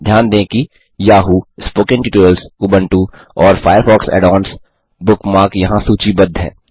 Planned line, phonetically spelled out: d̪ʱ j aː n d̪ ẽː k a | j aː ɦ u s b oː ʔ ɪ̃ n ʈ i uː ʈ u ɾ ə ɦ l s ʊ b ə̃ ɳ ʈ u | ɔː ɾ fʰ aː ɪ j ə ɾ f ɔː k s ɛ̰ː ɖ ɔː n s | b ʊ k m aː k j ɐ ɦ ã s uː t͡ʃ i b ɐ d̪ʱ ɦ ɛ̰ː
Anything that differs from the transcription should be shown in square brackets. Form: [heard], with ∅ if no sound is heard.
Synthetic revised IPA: d̪ʱ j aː n d̪ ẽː k [i] | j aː ɦ u s [p] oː [k] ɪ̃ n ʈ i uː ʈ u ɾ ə [∅] l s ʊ b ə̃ ɳ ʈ u | ɔː ɾ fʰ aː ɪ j ə ɾ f ɔː k s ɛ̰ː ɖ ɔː n s | b ʊ k m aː k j ɐ ɦ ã s uː t͡ʃ i b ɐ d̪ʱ ɦ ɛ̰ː